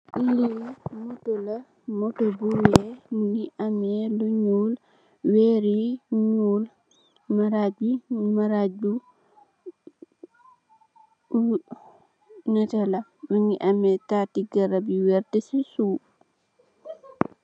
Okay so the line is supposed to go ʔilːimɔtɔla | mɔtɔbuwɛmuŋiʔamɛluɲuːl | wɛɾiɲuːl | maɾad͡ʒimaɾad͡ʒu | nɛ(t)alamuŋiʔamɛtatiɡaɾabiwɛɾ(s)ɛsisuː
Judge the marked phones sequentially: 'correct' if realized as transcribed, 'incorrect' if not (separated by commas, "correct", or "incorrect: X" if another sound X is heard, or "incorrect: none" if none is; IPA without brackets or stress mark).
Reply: correct, incorrect: t